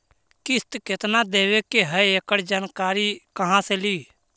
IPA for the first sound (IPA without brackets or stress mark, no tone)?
k